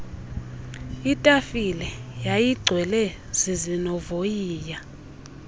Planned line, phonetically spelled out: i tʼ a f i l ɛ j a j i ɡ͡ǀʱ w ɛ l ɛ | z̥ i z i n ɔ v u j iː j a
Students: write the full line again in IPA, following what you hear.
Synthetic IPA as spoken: i tʼ a f i l ɛ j a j i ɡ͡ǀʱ w ɛ l ɛ | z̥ i z i n ɔ v o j iː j a

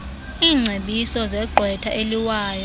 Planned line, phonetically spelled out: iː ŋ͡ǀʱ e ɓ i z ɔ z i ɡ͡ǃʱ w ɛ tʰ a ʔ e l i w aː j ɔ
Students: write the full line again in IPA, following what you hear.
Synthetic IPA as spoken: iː ŋ͡ǀʱ e ɓ i s ɔ z ɛ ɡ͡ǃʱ w ɛ tʰ a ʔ e l i w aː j ɔ

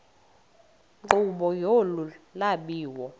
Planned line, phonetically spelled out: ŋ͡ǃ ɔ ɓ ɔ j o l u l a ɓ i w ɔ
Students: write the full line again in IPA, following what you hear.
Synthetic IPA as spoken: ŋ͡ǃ u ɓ ɔ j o l u l a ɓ iː w ɔ

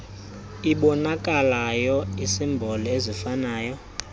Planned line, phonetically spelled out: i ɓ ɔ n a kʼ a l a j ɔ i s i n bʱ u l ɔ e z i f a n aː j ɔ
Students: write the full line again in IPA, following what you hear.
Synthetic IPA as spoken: i ɓ ɔ n a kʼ a l a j ɔ i s i m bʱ ɔ l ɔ e z i f a n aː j ɔ

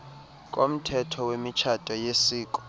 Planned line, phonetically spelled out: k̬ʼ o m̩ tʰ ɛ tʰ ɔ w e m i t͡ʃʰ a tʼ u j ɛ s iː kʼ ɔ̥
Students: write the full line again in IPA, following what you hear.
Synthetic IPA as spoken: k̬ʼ o m̩ tʰ ɛ tʰ ɔ w e m i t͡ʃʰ a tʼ ɔ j e s iː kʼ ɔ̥

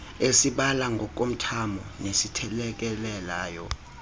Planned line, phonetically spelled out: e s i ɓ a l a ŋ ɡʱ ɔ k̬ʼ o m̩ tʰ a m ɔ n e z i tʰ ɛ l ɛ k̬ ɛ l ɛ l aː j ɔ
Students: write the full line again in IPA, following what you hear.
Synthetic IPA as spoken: e s i ɓ a l a ŋ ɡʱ ɔ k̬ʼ o m̩ tʰ a m ɔ n e s i tʰ ɛ l ɛ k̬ ɛ l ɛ l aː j ɔ

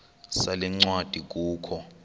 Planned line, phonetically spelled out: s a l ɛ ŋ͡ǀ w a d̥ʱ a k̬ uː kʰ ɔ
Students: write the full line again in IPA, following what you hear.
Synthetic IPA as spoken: s a l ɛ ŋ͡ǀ w a d̥ʱ i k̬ uː kʰ ɔ

